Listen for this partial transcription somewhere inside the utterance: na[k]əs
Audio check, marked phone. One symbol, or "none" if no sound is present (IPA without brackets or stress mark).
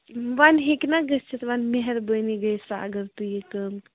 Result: ɡ